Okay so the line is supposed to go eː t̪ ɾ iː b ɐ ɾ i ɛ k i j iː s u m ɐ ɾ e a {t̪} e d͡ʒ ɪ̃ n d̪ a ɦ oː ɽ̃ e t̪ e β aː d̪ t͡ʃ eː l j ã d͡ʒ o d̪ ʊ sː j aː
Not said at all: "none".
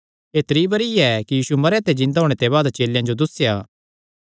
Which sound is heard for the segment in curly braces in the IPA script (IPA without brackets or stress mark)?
t̪